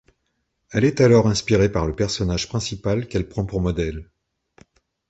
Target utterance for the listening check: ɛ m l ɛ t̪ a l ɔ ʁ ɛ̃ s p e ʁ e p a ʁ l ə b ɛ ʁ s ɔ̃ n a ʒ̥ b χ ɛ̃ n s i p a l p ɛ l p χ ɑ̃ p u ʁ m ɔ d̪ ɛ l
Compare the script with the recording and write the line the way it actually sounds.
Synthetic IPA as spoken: ɛ l ɛ t̪ a l ɔ ʁ ɛ̃ s p i ʁ e p a ʁ l ə p ɛ ʁ s ɔ n a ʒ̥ p χ ɛ̃ s i p a l k ɛ l p χ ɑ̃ p u ʁ m ɔ d̪ ɛ l